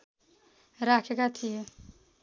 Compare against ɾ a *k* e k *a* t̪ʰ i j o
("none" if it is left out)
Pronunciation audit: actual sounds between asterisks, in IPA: kʰ, a

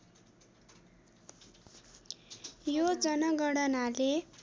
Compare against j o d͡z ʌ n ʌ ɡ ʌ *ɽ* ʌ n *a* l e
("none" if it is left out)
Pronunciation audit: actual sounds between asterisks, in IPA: ɽ, a

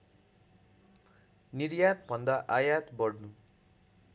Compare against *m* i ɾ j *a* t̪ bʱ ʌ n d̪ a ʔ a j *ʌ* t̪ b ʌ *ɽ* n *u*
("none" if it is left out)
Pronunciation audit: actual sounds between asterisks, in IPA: n, a, a, ɽ, u

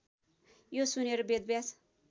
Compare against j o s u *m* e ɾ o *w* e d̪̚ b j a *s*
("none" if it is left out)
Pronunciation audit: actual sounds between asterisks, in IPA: n, b, s

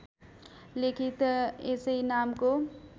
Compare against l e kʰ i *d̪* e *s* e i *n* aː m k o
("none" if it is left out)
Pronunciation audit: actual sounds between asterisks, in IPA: t̪, s, n

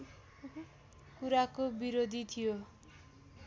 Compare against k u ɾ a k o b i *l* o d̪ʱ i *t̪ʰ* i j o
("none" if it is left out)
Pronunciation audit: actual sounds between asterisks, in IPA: ɾ, t̪ʰ

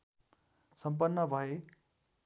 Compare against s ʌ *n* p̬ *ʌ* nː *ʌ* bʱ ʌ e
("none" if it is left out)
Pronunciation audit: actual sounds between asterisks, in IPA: m, ʌ, ʌ

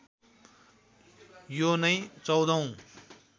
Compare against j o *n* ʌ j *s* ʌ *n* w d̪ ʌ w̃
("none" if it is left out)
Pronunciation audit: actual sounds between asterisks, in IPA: n, t͡s, none

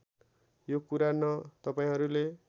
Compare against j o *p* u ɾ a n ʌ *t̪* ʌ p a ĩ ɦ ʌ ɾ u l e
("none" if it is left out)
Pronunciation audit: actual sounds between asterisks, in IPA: k, t̪

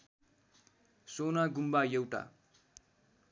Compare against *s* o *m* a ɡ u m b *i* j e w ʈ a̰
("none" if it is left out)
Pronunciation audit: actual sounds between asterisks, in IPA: s, n, a

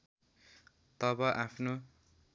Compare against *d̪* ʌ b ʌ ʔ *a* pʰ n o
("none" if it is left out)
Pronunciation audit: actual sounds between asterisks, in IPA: t̪, a

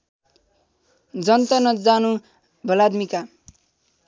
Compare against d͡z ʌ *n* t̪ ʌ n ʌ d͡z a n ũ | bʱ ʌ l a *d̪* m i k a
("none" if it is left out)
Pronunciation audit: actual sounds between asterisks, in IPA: n, d̪

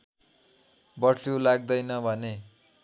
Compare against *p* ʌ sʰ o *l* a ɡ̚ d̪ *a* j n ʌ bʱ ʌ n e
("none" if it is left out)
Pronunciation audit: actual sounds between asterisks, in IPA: b, l, ʌ

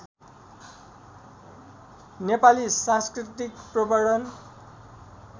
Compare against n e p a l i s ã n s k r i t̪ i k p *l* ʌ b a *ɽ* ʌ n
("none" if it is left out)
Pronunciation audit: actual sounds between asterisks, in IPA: r, ɽ

